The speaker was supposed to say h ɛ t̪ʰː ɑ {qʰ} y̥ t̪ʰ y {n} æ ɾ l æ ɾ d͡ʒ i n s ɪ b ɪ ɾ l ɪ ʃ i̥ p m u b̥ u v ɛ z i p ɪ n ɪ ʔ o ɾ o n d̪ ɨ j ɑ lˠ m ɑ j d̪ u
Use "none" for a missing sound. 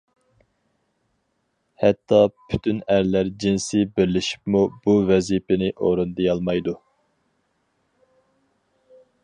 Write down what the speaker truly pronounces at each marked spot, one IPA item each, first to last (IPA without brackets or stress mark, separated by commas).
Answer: pʰ, n